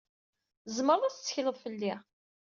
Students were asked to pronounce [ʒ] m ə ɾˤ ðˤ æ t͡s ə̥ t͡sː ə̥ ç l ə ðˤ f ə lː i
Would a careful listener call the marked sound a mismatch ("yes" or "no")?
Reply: yes